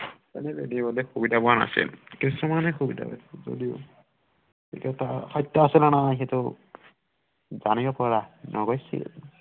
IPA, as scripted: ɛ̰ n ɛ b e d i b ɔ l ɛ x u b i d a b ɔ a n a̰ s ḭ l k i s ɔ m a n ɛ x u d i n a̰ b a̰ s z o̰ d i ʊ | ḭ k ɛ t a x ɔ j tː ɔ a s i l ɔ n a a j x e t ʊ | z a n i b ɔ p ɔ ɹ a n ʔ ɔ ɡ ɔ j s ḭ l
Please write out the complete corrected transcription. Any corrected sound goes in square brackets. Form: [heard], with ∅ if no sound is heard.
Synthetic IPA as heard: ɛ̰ n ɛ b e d i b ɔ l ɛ x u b i d a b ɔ a n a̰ s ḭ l k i s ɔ m a n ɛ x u [b] i [d] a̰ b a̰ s z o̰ d i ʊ | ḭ k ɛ t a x ɔ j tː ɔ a s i l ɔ n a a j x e t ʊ | z a n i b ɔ p ɔ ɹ a n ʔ ɔ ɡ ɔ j s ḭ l